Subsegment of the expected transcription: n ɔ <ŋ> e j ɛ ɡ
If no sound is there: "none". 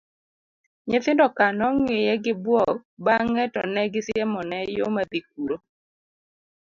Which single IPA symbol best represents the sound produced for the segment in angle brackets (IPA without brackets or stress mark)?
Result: ŋ